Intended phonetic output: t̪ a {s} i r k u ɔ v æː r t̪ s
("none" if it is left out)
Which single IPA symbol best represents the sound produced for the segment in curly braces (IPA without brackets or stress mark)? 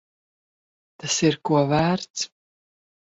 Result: s